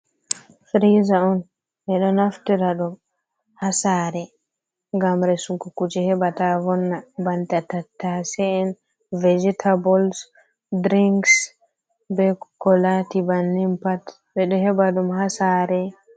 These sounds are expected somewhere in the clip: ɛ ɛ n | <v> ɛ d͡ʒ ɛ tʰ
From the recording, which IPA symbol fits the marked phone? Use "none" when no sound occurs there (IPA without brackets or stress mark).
v